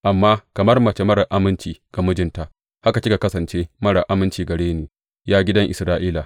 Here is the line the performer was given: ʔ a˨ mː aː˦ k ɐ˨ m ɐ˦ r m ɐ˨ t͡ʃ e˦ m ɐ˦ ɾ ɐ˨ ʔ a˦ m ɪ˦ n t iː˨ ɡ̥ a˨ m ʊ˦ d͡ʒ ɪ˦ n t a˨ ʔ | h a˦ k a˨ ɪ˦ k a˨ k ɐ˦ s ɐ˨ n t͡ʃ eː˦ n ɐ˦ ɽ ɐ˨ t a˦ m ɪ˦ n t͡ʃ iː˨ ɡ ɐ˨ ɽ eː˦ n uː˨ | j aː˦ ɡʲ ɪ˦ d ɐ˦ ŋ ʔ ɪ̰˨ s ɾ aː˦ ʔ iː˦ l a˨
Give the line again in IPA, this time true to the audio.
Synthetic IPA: ʔ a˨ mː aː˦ k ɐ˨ m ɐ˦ r m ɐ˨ t͡ʃ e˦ m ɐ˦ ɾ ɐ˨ ʔ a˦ m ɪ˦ n t͡ʃ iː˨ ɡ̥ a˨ m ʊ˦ d͡ʒ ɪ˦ n t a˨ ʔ | h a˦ k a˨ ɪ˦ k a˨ k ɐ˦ s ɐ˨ n t͡ʃ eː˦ m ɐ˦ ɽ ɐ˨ ʔ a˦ m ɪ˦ n t͡ʃ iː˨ ɡ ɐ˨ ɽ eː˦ n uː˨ | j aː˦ ɡʲ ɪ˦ d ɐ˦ ŋ ʔ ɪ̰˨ s ɾ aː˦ ʔ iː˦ l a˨